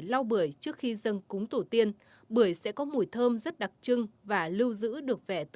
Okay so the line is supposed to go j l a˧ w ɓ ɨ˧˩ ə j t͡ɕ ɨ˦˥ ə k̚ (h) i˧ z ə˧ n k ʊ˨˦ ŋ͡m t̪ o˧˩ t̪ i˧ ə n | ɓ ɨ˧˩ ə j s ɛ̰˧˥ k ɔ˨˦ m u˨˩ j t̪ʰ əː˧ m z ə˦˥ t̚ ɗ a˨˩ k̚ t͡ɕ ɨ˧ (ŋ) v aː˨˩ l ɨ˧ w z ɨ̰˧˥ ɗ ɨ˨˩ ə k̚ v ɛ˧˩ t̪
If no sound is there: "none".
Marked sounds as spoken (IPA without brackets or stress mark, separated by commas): x, ŋ